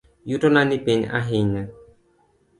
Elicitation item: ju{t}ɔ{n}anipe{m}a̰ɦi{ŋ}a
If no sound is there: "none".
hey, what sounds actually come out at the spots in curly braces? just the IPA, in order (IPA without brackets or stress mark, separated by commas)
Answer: t, n, ɲ, ɲ